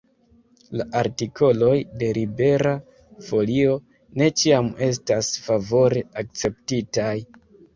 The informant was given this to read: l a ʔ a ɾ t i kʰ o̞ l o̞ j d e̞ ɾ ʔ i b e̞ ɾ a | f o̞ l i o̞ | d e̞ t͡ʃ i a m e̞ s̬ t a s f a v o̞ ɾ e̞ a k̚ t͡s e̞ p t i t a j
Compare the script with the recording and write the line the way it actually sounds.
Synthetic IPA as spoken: l a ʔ a ɾ t i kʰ o̞ l o̞ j d e̞ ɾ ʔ i b e̞ ɾ a | f o̞ l i o̞ | n e̞ t͡ʃ i a m e̞ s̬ t a s f a v o̞ ɾ e̞ a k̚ t͡s e̞ p t i t a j